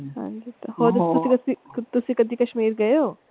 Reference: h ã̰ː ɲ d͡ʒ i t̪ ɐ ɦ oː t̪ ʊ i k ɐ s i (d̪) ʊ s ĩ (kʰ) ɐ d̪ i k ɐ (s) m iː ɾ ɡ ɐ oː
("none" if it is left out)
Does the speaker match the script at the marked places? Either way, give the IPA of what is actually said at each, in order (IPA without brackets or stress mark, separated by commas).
t̪, k, ʃ